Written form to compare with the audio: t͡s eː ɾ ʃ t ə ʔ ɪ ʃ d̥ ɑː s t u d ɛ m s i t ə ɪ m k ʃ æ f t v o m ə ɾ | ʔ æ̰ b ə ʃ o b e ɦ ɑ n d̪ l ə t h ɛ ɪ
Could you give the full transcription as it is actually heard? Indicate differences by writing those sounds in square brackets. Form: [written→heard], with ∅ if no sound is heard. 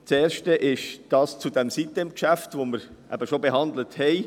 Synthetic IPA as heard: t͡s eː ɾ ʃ t ə ʔ ɪ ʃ d̥ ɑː s [t→t͡s] u d ɛ m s i t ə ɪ m k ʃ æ f t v o m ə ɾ | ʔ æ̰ b ə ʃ o b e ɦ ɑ n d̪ l ə t h ɛ ɪ